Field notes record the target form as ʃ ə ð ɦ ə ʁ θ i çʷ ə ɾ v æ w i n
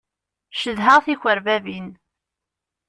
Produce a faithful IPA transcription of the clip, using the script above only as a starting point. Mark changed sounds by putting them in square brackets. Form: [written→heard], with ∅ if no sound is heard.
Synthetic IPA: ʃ ə ð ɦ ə ʁ θ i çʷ ə ɾ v æ [w→v] i n